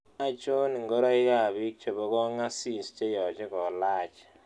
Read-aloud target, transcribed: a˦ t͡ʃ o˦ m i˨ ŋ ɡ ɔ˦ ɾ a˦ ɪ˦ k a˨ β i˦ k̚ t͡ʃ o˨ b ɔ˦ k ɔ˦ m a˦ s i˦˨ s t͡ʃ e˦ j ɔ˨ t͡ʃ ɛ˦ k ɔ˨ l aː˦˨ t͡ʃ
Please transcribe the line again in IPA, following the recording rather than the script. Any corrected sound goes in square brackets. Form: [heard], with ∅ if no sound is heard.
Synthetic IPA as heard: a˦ t͡ʃ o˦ [n] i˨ ŋ ɡ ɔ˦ ɾ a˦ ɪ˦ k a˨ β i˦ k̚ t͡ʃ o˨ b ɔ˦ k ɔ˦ [ŋ] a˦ s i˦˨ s t͡ʃ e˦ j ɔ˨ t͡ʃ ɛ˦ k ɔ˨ l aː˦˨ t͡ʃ